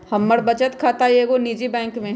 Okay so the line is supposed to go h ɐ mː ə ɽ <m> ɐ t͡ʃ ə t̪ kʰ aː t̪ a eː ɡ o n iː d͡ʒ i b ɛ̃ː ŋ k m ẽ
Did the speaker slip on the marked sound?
yes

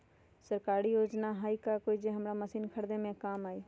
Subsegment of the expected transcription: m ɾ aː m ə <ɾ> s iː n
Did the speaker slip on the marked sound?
yes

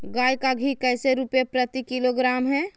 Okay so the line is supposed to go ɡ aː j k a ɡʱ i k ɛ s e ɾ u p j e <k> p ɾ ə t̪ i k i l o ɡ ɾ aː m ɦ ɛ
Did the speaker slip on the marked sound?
yes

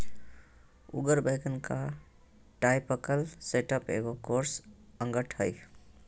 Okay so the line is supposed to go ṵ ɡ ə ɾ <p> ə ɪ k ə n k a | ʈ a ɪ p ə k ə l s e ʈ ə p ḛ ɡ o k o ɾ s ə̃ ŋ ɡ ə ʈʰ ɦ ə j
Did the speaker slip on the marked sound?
yes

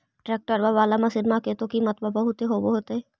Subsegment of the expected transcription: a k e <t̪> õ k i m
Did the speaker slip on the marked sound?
no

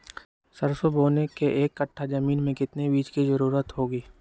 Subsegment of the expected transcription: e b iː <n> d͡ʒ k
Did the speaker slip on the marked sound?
yes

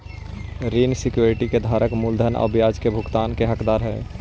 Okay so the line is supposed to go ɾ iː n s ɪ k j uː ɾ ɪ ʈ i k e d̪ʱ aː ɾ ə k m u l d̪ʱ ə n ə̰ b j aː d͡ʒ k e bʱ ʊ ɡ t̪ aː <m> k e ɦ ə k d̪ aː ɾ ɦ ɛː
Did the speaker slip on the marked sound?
yes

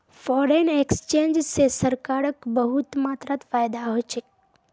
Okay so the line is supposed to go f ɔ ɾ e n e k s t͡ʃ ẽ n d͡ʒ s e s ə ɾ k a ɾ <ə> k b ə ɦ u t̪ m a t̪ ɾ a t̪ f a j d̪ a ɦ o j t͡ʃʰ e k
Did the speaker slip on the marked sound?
no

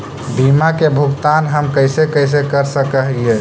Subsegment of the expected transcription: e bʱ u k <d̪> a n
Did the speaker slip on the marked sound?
yes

